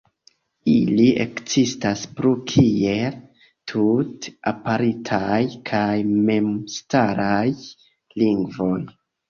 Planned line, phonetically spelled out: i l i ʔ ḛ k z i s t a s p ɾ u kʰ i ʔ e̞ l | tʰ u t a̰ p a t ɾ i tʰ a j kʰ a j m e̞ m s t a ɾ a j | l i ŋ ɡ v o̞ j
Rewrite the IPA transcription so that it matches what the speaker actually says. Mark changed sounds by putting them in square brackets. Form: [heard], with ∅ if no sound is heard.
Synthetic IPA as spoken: i l i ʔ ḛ k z i s t a s p ɾ u kʰ i [∅] e̞ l | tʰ u t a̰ p a [∅] ɾ i tʰ a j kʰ a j m e̞ m s t a ɾ a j | l i ŋ ɡ v o̞ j